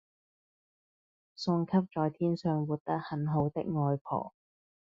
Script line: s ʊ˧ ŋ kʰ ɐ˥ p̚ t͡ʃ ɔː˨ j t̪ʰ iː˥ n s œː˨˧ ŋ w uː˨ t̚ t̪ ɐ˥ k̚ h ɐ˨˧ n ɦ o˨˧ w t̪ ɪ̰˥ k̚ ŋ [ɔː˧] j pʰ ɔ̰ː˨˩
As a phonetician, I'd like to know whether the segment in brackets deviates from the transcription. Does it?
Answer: no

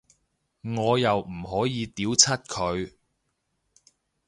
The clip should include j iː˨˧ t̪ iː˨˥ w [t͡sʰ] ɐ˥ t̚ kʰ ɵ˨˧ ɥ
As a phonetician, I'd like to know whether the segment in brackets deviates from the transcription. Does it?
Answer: no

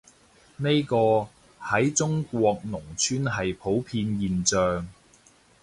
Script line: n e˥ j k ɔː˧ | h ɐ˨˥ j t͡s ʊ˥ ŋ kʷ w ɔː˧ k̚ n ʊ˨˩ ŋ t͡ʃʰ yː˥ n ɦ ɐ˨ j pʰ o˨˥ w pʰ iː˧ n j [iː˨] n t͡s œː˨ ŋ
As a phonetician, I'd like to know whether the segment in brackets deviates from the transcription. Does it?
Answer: no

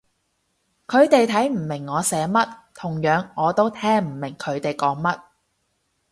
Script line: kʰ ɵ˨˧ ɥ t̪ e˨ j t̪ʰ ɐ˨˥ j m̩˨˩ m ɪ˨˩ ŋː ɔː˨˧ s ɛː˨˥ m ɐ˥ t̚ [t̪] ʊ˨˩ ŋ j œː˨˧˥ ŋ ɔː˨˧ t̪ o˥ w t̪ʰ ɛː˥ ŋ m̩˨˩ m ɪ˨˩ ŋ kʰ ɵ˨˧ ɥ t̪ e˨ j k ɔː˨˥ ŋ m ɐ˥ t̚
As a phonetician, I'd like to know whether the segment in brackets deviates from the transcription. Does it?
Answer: yes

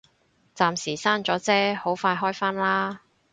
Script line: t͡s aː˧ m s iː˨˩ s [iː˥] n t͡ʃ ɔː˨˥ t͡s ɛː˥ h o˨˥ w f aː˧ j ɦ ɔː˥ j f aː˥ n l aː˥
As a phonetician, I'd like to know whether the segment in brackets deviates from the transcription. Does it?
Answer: yes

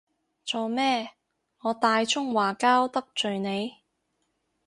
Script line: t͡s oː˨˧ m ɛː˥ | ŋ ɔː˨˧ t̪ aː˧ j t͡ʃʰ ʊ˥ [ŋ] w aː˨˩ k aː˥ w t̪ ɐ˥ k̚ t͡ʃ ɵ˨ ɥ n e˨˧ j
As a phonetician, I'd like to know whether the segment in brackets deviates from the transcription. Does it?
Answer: no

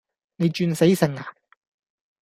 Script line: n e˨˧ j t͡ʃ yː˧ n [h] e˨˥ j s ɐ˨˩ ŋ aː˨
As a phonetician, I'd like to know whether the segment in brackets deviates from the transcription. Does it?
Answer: yes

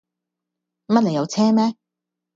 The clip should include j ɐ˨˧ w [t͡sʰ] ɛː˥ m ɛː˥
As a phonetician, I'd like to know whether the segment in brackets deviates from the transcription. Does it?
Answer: no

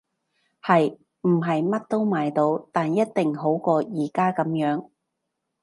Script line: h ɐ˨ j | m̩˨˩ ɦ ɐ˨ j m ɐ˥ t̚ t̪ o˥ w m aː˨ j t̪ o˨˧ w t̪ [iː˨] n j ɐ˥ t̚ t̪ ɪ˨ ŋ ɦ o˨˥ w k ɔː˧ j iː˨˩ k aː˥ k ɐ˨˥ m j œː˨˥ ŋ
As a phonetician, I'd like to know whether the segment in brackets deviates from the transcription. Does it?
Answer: yes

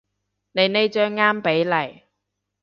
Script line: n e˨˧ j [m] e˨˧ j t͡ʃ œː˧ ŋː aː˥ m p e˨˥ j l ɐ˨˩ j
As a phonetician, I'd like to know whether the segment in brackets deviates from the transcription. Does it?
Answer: yes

